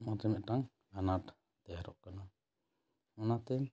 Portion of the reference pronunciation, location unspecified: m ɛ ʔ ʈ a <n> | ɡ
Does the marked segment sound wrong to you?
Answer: yes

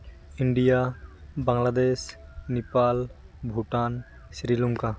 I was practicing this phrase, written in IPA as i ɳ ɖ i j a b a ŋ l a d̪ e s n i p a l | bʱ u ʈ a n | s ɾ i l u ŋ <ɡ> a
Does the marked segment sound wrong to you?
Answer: yes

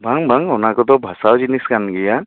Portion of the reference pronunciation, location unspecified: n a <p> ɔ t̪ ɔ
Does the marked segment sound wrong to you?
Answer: yes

